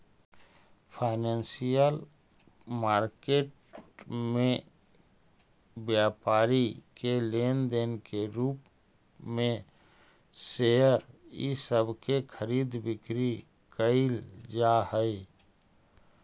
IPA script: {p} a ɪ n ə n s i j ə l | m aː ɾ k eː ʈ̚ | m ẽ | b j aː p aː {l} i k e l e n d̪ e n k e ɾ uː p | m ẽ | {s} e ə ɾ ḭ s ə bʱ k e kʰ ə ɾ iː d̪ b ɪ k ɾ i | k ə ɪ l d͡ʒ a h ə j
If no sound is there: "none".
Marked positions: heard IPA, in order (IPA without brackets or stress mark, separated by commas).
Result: pʰ, ɾ, s